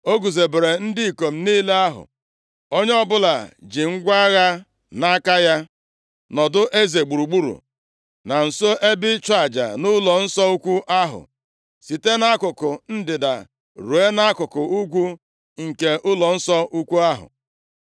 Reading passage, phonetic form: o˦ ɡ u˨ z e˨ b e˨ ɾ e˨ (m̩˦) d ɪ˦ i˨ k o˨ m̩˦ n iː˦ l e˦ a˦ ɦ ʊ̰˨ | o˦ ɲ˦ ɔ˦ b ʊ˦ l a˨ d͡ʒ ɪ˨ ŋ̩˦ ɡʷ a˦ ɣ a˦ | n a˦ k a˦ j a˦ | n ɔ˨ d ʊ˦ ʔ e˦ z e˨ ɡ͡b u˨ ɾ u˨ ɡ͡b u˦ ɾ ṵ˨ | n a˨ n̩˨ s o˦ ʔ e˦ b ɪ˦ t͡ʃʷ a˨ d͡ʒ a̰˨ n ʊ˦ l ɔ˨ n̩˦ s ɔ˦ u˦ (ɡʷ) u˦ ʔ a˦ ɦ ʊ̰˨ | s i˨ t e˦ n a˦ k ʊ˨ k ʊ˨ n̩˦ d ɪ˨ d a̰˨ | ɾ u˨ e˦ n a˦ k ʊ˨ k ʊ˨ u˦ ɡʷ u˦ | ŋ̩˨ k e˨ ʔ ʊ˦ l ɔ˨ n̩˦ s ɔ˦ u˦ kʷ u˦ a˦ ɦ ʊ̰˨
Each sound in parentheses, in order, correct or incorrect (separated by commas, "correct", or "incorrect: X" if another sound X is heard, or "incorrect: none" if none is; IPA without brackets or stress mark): incorrect: n̩˦, incorrect: kʷ